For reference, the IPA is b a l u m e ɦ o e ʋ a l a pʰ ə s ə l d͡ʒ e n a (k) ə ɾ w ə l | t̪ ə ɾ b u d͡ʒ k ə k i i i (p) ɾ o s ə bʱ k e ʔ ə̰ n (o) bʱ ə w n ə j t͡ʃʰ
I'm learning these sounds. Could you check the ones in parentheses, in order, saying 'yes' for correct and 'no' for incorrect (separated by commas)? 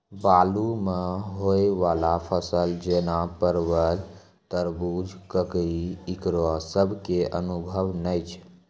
no, no, no